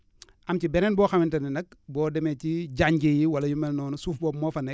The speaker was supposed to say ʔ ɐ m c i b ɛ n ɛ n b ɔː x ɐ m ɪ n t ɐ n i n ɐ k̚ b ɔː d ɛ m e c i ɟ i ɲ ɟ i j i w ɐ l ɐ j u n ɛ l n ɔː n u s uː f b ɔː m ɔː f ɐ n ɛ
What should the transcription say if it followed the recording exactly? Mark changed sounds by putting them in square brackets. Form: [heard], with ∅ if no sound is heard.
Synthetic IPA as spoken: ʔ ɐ m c i b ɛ n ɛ n b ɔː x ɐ m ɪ n t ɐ n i n ɐ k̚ b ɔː d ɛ m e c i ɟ [a] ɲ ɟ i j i w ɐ l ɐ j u [m] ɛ l n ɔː n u s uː f b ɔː m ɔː f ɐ n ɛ